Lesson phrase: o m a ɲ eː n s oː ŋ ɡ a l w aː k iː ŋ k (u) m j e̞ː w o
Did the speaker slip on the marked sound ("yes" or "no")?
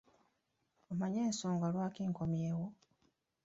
yes